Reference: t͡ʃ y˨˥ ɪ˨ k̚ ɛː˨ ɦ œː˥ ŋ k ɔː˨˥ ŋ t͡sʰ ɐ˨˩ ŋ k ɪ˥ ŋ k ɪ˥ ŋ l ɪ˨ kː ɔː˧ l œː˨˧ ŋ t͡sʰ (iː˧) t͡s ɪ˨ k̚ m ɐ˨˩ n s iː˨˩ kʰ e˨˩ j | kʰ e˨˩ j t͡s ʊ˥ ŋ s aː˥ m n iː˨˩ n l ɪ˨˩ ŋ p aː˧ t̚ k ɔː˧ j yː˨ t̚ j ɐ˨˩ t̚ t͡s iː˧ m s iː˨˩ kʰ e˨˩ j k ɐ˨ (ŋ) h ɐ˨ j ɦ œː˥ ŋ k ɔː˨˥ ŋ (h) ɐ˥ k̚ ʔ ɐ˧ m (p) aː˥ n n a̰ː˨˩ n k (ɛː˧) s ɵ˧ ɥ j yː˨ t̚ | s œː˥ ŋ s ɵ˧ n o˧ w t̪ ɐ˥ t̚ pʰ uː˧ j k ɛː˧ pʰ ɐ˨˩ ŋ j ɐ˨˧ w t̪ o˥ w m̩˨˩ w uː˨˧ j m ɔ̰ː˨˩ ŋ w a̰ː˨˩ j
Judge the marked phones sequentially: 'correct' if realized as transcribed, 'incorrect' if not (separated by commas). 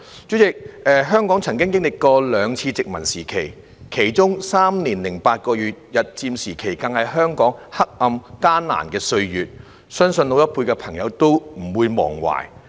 correct, correct, correct, incorrect, correct